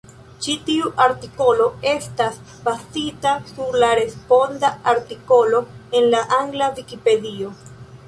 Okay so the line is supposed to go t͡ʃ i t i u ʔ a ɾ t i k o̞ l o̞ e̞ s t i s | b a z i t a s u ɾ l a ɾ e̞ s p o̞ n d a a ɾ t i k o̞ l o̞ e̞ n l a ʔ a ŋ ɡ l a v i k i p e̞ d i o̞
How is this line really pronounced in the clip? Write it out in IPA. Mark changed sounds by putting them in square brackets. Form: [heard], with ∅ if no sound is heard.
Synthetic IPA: t͡ʃ i t i u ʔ a ɾ t i k o̞ l o̞ e̞ s t [a] s | b a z i t a s u ɾ l a ɾ e̞ s p o̞ n d a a ɾ t i k o̞ l o̞ e̞ n l a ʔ a ŋ ɡ l a v i k i p e̞ d i o̞

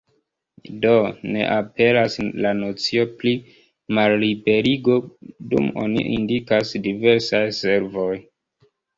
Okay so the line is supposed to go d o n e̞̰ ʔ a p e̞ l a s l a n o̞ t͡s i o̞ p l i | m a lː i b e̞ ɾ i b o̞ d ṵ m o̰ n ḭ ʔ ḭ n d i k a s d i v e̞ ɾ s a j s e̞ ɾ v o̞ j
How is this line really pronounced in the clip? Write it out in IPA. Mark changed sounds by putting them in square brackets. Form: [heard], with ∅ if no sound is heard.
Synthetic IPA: d o n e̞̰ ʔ a p e̞ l a s l a n o̞ t͡s i o̞ p l i | m a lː i b e̞ ɾ i [ɡ] o̞ d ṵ m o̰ n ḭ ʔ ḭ n d i k a s d i v e̞ ɾ s a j s e̞ ɾ v o̞ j

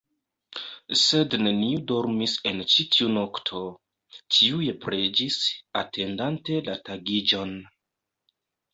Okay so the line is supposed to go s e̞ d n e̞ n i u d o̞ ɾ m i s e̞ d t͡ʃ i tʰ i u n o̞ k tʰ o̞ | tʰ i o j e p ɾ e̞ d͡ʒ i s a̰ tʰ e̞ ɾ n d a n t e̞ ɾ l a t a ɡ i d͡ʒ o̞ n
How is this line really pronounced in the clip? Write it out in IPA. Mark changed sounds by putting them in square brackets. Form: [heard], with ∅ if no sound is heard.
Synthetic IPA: s e̞ d n e̞ n i u d o̞ ɾ m i s e̞ [n] t͡ʃ i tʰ i u n o̞ k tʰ o̞ | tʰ i [u] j e p ɾ e̞ d͡ʒ i s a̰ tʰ e̞ [∅] n d a n t e̞ [∅] l a t a ɡ i d͡ʒ o̞ n

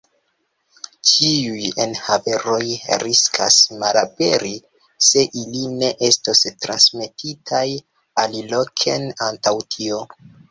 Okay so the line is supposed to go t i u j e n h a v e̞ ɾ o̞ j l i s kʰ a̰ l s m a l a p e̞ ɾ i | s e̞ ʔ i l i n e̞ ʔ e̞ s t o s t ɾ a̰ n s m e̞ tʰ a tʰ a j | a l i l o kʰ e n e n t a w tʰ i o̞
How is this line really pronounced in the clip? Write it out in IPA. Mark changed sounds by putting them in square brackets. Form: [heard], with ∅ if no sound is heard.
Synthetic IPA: [t͡ʃ] i u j e n h a v e̞ ɾ o̞ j [ɾ] i s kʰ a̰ [∅] s m a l a p e̞ ɾ i | s e̞ ʔ i l i n e̞ ʔ e̞ s t o s t ɾ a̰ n s m e̞ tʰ [i] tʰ a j | a l i l o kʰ e n [a] n t a w tʰ i o̞

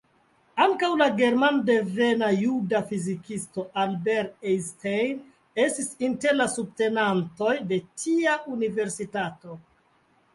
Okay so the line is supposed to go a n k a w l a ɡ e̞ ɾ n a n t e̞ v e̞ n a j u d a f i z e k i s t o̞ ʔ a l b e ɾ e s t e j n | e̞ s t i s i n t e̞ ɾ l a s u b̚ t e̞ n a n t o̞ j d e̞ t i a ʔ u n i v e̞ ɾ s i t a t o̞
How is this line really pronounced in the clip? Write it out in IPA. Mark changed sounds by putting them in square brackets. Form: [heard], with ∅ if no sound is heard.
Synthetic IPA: a [ŋ] k a w l a ɡ e̞ ɾ [m] a n [d] e̞ v e̞ n a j u d a f i z [i] k i s t o̞ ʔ a l b e ɾ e s t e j n | e̞ s t i s i n t e̞ ɾ l a s u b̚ t e̞ n a n t o̞ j d e̞ t i a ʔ u n i v e̞ ɾ s i t a t o̞

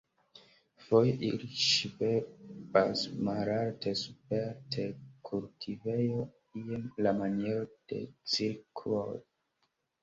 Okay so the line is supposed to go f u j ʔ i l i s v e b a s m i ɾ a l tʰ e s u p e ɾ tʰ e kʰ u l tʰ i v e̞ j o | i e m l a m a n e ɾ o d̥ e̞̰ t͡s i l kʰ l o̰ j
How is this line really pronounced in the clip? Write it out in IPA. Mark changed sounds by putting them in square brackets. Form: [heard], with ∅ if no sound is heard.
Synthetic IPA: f [o] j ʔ i l i [ʃ] v e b a s m [a] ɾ a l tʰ e s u p e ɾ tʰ e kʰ u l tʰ i v e̞ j o | i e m l a m a n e ɾ o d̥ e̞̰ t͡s i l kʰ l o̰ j

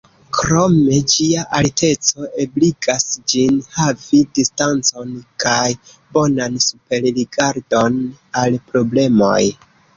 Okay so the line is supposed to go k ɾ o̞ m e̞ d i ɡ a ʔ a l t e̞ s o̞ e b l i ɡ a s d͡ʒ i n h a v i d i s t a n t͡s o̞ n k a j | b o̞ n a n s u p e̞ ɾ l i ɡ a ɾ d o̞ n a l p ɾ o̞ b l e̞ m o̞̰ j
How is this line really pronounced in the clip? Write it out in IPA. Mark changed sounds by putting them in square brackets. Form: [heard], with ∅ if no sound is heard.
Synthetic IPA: k ɾ o̞ m e̞ [d͡ʒ] i [∅] a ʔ a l t e̞ [t͡s] o̞ e b l i ɡ a s d͡ʒ i n h a v i d i s t a n t͡s o̞ n k a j | b o̞ n a n s u p e̞ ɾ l i ɡ a ɾ d o̞ n a l p ɾ o̞ b l e̞ m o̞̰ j

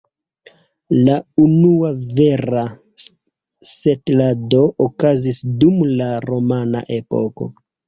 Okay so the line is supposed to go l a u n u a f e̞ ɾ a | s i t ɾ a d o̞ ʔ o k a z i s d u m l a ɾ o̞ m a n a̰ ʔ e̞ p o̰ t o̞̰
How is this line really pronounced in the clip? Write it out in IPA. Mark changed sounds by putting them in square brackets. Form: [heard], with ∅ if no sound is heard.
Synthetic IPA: l a u n u a [v] e̞ ɾ a | s [e] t [l] a d o̞ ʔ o k a z i s d u m l a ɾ o̞ m a n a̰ ʔ e̞ p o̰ [k] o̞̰

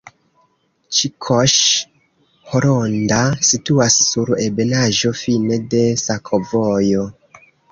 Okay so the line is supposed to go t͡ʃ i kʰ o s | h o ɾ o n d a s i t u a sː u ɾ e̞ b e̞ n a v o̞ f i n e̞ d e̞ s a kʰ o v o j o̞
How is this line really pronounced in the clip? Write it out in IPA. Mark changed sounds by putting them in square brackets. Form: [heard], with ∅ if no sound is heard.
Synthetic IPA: t͡ʃ i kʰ o [ʃ] | h o ɾ o n d a s i t u a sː u ɾ e̞ b e̞ n a [ʒ] o̞ f i n e̞ d e̞ s a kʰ o v o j o̞

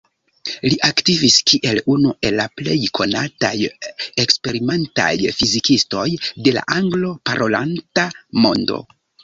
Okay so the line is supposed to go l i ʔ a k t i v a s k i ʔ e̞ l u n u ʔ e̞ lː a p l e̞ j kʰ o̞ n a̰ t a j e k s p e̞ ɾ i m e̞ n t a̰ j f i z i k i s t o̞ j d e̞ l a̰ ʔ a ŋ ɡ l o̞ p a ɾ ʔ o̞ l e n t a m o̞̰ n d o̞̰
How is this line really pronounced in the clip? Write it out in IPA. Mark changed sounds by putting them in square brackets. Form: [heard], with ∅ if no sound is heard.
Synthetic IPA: l i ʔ a k t i v [i] s k i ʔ e̞ l u n u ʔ e̞ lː a p l e̞ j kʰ o̞ n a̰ t a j e k s p e̞ ɾ i m e̞ n t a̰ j f i z i k i s t o̞ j d e̞ l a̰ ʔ a ŋ ɡ l o̞ p a ɾ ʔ o̞ l [a] n t a m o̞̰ n d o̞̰

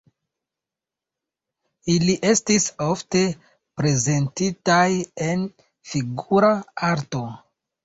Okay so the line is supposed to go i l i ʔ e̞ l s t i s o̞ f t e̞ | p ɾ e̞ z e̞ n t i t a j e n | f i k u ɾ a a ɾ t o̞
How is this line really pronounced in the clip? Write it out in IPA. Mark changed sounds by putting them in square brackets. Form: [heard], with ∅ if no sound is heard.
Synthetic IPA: i l i ʔ e̞ [∅] s t i s o̞ f t e̞ | p ɾ e̞ z e̞ n t i t a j e n | f i [ɡ] u ɾ a a ɾ t o̞

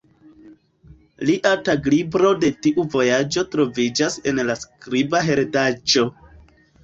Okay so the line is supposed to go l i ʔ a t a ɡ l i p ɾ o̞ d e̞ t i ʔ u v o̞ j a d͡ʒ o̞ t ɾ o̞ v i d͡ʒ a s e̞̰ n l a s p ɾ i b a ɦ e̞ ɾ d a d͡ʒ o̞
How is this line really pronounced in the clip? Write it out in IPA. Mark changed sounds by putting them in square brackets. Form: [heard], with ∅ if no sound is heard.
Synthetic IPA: l i ʔ a t a ɡ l i [b] ɾ o̞ d e̞ t i ʔ u v o̞ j a d͡ʒ o̞ t ɾ o̞ v i d͡ʒ a s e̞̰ n l a s [k] ɾ i b a ɦ e̞ ɾ d a d͡ʒ o̞

